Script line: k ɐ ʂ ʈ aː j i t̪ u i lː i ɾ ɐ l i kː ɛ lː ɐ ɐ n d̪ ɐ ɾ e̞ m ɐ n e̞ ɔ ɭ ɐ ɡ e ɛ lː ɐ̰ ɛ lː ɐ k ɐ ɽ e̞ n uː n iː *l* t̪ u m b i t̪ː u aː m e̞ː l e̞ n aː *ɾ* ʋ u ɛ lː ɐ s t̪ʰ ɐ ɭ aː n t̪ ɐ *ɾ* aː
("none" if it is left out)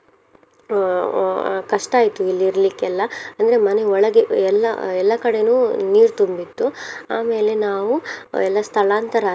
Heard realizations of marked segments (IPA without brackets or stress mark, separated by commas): ɾ, none, ɾ